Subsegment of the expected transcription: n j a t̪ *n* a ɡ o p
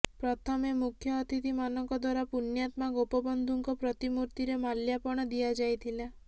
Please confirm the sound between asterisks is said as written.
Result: no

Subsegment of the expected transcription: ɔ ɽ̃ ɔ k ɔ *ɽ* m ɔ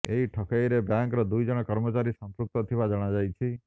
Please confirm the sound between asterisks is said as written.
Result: no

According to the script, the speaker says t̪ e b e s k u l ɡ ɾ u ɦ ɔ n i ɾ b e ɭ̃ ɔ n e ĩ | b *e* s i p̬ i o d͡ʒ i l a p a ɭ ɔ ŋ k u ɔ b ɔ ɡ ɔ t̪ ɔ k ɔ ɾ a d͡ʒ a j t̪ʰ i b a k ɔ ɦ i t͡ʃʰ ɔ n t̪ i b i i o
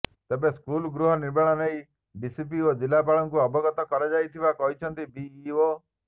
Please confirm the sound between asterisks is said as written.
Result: no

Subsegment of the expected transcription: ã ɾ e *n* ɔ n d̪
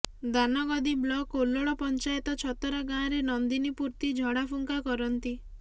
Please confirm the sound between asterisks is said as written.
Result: yes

